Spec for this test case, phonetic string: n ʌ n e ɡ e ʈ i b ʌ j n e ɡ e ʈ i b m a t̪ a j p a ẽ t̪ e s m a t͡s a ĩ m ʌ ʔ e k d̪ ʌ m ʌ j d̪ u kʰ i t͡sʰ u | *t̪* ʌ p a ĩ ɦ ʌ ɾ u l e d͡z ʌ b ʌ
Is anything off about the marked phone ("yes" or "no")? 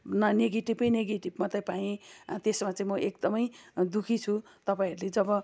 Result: no